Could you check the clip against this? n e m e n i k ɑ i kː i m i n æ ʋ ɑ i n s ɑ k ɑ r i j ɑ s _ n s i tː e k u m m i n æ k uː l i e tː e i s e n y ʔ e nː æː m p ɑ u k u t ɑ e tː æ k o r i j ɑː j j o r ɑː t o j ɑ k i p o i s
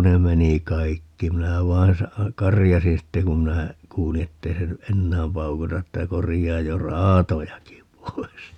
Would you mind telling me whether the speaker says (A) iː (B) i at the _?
B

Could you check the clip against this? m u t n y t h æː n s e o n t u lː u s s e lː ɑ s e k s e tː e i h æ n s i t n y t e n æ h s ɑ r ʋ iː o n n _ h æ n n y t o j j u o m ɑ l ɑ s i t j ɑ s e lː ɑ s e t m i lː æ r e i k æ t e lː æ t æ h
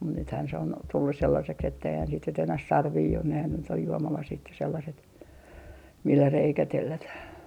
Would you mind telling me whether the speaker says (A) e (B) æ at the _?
A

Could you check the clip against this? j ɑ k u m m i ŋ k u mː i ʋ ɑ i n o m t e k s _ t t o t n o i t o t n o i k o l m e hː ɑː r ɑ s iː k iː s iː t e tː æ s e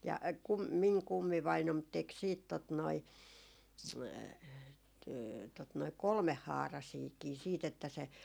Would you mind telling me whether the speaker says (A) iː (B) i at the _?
A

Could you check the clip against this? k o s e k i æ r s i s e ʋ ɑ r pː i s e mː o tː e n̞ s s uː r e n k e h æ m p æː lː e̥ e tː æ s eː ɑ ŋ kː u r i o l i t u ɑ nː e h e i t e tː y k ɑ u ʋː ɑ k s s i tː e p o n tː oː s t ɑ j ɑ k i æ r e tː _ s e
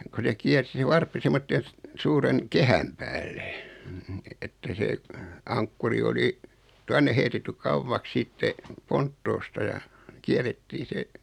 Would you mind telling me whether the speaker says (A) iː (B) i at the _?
A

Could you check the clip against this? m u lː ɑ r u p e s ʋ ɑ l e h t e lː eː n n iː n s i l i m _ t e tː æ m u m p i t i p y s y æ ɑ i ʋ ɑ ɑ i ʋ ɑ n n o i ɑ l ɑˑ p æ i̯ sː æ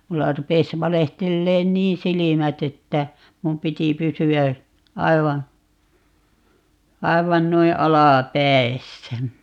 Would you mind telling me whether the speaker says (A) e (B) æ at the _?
B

